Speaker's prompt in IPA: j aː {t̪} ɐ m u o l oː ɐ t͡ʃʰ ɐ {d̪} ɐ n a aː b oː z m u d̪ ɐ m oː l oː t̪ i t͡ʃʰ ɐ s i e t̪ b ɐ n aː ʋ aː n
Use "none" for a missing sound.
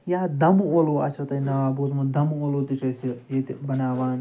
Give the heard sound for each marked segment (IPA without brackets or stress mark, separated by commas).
d̪, t̪